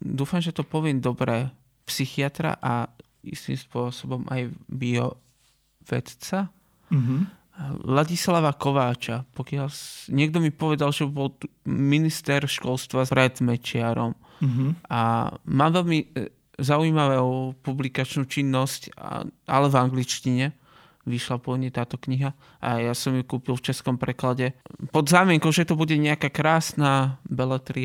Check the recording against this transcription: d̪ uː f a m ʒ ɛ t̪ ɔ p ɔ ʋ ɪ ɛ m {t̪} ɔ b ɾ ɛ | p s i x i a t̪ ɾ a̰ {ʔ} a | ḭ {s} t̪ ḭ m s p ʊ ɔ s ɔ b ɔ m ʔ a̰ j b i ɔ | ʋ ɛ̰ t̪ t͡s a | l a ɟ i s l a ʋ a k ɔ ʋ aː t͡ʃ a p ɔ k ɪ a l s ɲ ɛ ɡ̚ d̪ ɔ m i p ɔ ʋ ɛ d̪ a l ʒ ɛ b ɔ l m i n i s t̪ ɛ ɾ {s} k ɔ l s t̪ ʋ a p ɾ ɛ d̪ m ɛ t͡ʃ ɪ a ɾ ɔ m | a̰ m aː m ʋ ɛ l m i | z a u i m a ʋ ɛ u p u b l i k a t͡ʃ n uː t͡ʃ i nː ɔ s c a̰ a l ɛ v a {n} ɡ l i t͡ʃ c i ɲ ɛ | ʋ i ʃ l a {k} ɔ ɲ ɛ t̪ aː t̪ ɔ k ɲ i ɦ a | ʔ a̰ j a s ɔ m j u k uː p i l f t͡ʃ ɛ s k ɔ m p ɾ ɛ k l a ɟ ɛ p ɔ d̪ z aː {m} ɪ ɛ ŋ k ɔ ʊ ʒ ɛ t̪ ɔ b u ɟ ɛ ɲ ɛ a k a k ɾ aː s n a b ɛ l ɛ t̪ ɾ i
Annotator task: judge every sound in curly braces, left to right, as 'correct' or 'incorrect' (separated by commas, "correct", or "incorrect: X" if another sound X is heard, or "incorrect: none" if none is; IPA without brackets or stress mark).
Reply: incorrect: d̪, correct, correct, incorrect: ʃ, incorrect: ŋ, incorrect: p, correct